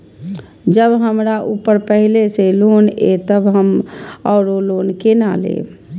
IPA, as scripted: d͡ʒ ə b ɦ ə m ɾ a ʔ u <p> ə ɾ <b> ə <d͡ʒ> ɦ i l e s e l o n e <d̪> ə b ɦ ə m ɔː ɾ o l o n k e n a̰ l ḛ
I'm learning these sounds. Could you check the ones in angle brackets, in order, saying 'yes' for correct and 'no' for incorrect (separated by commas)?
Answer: yes, no, no, no